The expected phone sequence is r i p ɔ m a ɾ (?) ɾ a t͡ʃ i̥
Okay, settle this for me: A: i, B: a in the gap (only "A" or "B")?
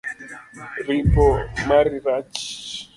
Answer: A